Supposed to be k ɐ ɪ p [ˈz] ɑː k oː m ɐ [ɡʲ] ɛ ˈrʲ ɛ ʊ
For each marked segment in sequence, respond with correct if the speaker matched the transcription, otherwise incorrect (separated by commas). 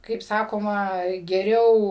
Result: incorrect, correct